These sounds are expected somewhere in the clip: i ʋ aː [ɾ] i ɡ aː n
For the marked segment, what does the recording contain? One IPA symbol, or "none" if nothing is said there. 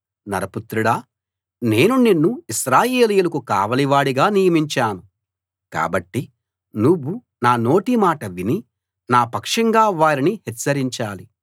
ɽ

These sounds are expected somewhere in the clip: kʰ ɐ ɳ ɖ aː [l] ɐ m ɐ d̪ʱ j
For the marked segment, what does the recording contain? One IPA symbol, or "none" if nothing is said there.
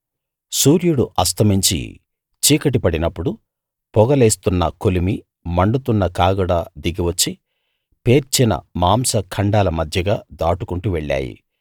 l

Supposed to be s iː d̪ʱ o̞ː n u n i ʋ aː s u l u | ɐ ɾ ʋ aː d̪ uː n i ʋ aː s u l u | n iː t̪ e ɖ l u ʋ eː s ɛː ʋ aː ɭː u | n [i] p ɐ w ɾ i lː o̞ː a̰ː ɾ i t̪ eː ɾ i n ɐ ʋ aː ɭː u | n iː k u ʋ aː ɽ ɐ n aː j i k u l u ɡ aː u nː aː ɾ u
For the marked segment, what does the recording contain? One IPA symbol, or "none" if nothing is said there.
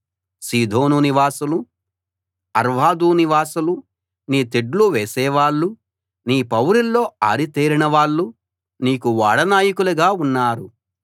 iː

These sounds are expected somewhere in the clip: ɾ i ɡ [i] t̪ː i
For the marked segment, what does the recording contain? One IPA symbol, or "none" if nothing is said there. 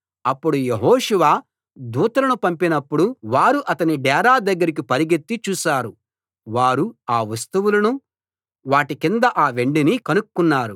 e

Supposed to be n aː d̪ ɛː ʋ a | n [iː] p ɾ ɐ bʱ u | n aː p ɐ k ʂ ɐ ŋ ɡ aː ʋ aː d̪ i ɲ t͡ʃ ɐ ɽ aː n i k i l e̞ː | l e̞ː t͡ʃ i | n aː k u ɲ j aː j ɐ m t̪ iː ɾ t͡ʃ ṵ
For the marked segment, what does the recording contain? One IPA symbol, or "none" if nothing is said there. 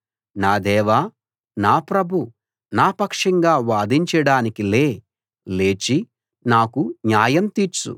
aː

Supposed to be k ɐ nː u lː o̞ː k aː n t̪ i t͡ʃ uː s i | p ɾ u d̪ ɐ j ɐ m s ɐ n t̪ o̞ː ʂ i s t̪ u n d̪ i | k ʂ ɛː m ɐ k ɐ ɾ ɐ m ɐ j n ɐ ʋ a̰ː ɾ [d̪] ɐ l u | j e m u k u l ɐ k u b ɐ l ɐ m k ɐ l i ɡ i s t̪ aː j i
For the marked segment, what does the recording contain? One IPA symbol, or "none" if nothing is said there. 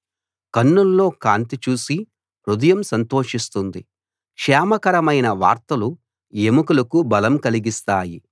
t̪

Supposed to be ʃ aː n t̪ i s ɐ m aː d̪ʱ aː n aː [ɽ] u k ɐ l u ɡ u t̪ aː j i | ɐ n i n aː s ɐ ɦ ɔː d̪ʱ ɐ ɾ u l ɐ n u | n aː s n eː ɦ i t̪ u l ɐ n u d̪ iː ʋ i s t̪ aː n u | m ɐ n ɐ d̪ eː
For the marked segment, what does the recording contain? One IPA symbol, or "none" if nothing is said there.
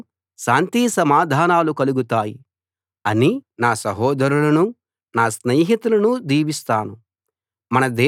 l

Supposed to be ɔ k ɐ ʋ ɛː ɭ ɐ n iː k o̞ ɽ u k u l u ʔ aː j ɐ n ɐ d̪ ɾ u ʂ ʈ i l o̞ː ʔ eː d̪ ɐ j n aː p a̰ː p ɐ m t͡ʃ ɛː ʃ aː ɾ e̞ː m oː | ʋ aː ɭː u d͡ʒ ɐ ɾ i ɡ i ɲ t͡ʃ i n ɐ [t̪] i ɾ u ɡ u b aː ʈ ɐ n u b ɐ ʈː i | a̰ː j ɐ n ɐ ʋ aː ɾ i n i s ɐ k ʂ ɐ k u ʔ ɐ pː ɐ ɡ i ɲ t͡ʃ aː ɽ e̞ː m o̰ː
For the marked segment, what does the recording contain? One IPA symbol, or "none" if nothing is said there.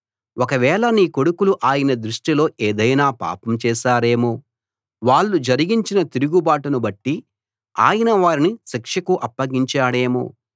t̪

